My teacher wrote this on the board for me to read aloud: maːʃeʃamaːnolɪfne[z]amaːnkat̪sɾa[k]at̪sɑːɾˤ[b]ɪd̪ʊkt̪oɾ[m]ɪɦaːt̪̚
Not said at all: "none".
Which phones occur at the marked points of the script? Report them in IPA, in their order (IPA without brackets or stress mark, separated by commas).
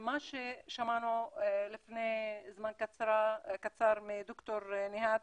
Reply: z, k, m, n